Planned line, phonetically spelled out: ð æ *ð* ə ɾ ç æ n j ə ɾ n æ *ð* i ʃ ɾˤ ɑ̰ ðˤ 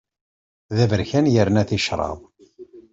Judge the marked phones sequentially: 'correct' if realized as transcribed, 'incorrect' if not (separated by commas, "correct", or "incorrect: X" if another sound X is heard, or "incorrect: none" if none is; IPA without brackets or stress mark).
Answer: incorrect: v, incorrect: θ